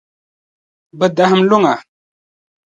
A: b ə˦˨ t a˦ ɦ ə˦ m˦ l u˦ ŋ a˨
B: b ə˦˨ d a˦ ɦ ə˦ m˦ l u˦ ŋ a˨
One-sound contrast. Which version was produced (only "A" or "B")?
B